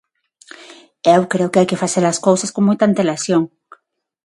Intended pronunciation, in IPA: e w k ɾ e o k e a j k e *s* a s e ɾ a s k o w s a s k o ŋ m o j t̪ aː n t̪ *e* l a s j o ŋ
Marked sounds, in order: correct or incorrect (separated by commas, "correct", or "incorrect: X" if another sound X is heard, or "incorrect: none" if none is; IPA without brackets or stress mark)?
incorrect: f, correct